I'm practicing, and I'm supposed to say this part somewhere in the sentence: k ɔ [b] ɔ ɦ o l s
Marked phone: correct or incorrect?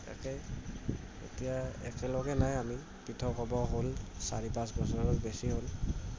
correct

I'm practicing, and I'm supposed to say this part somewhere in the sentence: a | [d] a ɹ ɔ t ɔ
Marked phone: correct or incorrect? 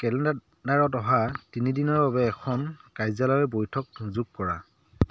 correct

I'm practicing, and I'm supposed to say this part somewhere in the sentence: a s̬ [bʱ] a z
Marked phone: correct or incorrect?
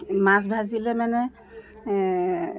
correct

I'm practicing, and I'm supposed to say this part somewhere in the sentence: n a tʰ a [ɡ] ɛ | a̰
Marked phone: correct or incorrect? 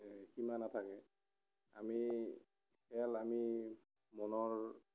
incorrect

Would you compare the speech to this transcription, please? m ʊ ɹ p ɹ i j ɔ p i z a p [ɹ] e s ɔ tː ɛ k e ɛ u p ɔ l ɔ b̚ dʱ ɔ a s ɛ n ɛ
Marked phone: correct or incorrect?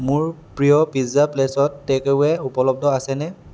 incorrect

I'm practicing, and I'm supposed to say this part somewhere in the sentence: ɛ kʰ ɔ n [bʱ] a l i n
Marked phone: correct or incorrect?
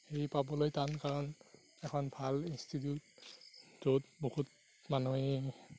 correct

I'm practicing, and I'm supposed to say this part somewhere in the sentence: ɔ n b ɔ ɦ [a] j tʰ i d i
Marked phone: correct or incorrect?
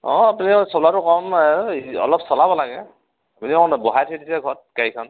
correct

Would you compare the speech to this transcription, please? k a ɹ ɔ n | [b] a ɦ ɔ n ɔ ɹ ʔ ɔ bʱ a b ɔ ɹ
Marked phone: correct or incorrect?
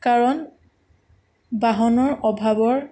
correct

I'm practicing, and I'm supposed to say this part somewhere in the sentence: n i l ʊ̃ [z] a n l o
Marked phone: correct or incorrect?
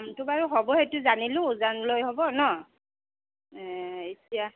correct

